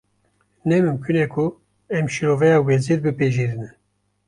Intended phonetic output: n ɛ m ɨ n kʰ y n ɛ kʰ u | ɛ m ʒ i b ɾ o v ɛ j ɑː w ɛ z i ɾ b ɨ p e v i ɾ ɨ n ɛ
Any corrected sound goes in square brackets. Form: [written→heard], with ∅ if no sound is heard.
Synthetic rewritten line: n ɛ m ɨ [n→m] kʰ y n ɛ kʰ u | ɛ m [ʒ→ʃ] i [b→∅] ɾ o v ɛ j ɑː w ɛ z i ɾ b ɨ p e [v→ʒ] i ɾ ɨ n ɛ